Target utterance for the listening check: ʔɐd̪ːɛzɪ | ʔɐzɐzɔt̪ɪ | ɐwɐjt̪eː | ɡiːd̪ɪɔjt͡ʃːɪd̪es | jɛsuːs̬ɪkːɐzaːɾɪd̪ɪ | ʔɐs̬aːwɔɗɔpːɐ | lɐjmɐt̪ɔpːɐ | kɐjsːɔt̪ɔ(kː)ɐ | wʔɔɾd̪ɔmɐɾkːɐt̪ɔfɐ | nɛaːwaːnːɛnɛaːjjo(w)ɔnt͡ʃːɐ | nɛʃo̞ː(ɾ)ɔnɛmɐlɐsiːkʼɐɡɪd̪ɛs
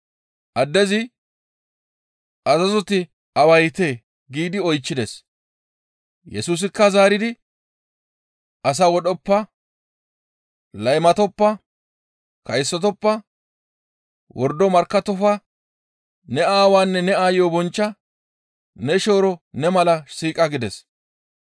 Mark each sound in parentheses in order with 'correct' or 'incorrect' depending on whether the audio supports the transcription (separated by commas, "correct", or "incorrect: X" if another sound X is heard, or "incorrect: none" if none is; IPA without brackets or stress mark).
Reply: incorrect: pː, incorrect: b, correct